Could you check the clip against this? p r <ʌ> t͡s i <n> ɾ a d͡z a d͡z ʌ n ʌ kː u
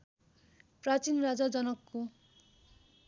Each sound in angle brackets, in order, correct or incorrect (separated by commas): incorrect, correct